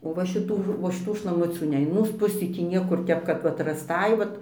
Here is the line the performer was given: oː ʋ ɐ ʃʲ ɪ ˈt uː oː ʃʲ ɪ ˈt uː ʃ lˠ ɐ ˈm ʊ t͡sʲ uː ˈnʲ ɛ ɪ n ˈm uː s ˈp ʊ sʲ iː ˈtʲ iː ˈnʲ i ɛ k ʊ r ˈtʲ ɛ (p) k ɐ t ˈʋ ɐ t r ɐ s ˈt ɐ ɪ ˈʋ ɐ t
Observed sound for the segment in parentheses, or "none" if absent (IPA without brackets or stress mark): p